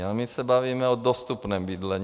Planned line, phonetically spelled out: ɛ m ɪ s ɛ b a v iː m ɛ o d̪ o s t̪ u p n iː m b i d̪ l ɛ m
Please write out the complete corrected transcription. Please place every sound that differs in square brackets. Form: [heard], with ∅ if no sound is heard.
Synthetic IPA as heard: [a] m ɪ s ɛ b a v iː m ɛ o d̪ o s t̪ u p n [ɛː] m b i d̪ l ɛ [ɲ]